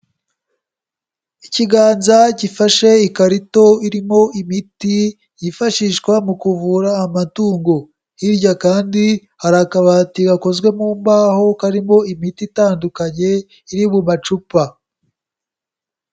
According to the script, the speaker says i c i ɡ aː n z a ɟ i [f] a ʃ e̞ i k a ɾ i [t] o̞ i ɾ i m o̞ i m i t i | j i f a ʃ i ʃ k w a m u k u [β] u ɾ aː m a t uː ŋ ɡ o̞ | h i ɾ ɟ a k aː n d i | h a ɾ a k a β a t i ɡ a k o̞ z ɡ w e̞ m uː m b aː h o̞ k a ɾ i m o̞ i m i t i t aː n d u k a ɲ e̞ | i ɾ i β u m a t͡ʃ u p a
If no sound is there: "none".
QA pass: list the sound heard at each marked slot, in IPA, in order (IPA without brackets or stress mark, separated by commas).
f, t, v